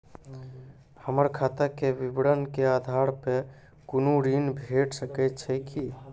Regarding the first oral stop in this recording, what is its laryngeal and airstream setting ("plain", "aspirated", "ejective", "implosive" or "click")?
aspirated